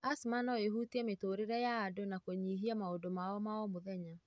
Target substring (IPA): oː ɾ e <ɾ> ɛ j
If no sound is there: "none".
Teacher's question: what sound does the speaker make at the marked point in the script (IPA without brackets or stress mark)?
ɾ